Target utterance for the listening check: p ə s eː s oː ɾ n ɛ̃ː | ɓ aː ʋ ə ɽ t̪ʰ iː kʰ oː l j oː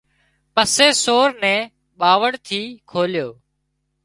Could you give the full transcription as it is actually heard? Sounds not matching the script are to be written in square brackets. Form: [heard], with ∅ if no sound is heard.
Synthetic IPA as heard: p ə s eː s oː ɾ n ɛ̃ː | ɓ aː ʋ ə ɽ t̪ʰ iː kʰ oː l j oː